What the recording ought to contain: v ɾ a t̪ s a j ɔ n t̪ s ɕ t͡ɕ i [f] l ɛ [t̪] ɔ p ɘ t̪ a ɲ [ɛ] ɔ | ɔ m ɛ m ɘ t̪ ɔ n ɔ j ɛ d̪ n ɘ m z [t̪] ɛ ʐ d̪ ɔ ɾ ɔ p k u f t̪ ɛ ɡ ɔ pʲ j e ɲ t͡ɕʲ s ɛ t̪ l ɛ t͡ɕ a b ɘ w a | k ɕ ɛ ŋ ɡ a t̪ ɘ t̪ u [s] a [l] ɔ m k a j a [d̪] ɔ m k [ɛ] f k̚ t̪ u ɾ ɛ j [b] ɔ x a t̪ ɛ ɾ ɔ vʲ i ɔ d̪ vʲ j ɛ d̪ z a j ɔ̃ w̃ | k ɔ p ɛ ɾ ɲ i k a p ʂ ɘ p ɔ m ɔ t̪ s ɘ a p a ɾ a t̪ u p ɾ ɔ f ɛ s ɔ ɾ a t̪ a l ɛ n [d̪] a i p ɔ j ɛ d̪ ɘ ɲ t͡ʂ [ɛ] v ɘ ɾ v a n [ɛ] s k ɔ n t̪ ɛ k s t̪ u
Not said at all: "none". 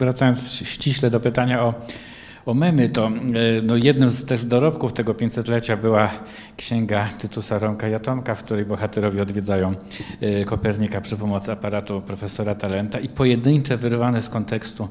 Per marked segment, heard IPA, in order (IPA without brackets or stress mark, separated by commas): ɕ, d̪, a, t̪, s, ɾ, t̪, a, b, t̪, ɛ, ɛ